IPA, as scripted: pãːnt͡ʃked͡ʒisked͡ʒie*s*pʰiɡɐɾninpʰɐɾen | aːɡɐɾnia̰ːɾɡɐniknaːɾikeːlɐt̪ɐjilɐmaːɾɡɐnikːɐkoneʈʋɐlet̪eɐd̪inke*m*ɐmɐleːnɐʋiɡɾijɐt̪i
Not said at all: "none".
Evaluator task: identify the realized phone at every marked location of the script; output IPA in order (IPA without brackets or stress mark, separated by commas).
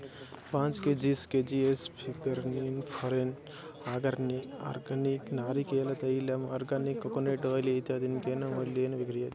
s, n